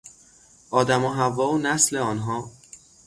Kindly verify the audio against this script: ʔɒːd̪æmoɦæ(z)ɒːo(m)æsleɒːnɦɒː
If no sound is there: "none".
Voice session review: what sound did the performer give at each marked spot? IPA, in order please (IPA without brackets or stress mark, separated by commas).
v, n